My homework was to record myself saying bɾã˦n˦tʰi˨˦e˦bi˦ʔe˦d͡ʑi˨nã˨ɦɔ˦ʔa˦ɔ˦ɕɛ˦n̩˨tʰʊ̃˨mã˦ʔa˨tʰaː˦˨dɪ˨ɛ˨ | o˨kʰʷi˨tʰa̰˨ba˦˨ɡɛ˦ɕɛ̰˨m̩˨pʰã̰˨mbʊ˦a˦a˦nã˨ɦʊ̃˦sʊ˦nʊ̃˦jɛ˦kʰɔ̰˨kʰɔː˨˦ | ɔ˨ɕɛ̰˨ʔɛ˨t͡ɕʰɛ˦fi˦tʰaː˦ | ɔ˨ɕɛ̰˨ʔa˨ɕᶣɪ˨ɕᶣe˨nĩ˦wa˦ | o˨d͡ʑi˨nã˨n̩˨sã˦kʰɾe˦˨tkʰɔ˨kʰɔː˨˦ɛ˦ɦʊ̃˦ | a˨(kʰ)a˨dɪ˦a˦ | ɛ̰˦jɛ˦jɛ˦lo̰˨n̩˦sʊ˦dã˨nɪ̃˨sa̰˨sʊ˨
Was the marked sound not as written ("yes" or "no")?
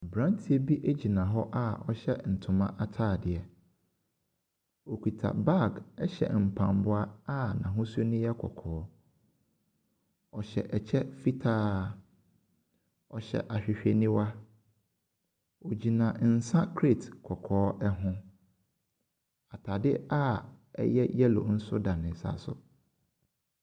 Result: yes